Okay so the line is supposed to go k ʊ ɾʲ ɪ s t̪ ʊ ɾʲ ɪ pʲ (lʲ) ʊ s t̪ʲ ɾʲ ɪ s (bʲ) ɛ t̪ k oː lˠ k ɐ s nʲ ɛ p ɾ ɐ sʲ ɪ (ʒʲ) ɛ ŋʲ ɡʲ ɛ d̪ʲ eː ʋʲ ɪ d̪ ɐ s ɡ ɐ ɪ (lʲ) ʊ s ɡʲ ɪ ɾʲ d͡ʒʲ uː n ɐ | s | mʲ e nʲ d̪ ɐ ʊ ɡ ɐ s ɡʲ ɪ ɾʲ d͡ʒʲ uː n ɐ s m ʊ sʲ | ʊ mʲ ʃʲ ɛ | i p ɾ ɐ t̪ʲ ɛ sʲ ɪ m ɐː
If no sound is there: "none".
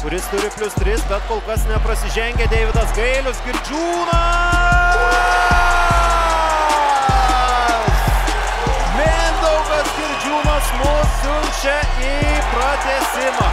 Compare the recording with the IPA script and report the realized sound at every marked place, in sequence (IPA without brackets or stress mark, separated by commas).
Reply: lʲ, bʲ, ʒʲ, lʲ